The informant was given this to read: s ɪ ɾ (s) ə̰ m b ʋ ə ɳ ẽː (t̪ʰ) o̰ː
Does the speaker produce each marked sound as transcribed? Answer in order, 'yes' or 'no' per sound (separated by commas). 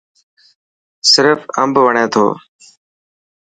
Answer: no, yes